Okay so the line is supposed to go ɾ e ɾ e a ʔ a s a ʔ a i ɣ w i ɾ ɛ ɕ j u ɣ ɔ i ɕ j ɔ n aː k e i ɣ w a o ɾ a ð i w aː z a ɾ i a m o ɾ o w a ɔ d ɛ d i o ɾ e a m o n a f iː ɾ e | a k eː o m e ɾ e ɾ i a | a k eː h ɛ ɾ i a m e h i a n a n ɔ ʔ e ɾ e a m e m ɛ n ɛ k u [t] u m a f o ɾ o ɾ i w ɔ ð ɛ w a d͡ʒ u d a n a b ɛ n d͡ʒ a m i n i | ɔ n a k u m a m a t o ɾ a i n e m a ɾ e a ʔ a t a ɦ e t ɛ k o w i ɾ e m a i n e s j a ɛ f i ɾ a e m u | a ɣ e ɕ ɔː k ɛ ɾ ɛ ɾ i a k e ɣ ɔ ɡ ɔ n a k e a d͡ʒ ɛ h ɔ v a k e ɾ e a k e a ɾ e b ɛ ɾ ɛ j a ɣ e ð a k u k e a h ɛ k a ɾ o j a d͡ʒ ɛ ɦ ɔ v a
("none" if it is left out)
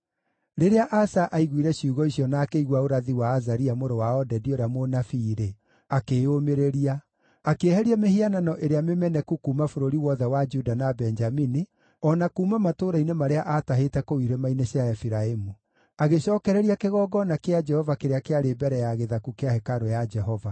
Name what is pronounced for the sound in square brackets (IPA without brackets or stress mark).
k